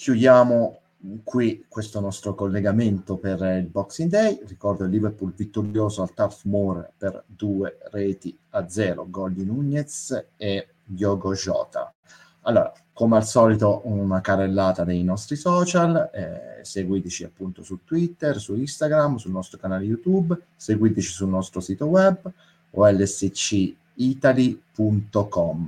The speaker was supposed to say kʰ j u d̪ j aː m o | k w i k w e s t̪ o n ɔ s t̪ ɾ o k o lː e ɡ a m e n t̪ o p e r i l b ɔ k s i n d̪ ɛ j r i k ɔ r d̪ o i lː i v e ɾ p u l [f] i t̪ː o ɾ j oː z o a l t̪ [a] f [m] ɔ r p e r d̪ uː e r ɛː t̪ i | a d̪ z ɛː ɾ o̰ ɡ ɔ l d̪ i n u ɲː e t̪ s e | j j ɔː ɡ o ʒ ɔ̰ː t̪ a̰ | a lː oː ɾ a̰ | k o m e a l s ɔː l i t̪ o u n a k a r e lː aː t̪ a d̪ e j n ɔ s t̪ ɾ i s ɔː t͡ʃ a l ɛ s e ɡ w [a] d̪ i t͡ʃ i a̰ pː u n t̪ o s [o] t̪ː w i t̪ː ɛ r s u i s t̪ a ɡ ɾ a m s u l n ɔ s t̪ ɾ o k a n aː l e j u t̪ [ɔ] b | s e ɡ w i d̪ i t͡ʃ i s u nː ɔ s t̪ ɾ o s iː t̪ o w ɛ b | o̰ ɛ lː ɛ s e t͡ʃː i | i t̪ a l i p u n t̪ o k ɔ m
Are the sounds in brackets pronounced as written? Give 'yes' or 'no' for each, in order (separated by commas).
no, yes, yes, no, no, no